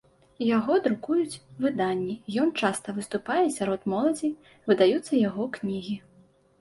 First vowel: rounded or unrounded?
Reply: unrounded